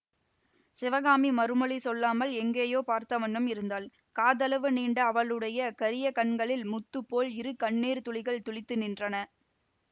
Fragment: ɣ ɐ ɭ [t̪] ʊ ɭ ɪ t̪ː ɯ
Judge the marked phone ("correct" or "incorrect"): correct